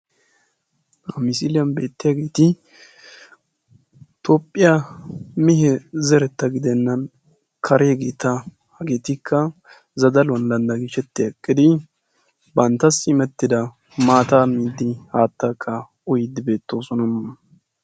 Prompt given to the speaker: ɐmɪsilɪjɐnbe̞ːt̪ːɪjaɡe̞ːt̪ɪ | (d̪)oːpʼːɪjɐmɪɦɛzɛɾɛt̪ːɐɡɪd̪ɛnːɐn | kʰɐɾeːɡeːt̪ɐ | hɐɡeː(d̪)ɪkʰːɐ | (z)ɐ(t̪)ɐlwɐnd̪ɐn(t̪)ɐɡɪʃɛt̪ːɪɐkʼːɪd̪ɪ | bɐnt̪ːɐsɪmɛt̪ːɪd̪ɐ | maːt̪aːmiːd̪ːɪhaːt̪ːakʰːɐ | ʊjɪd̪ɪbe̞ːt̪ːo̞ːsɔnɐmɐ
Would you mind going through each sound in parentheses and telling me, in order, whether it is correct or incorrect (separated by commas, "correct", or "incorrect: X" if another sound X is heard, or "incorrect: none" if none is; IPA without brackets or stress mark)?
incorrect: t̪, incorrect: t̪, correct, incorrect: d̪, incorrect: d̪